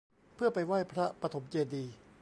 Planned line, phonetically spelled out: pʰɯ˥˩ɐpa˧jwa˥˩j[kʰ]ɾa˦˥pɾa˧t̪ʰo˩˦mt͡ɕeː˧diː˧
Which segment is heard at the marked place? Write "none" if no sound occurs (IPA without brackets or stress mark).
pʰ